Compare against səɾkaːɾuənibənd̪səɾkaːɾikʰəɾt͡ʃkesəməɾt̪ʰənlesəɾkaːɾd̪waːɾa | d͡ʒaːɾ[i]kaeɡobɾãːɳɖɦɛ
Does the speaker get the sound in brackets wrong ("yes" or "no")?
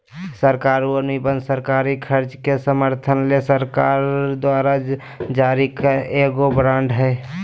no